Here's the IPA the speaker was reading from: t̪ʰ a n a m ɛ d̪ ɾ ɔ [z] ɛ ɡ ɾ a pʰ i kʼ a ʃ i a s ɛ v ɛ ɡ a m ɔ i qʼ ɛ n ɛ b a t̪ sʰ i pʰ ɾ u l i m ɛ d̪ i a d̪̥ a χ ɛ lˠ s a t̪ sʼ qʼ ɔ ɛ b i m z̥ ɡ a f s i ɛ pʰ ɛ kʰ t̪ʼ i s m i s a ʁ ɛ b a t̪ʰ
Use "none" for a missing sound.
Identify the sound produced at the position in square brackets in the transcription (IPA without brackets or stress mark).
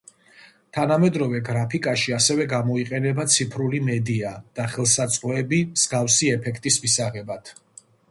v